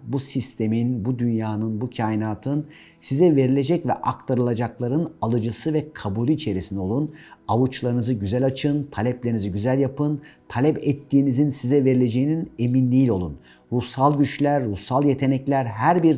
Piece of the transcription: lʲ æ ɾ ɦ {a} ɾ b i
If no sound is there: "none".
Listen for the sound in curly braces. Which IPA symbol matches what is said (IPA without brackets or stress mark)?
æ